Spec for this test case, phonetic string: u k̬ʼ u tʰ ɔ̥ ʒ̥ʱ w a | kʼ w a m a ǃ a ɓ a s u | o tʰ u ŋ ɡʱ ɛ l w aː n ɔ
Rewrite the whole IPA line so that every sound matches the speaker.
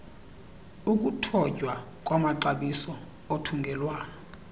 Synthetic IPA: u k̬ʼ u tʰ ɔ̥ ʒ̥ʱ w a | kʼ w a m a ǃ a ɓ i s ɔ | o tʰ u ŋ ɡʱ ɛ l w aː n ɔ